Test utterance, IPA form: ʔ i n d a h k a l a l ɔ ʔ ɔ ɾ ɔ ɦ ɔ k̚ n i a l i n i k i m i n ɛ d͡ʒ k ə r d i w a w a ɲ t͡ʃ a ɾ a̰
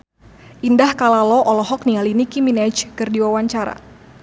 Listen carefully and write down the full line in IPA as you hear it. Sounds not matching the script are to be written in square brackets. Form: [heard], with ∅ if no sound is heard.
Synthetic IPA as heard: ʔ i n d a h k a l a l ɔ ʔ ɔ [l] ɔ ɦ ɔ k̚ n i a l i n i k i m i n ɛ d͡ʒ k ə r d i w a w a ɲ t͡ʃ a ɾ a̰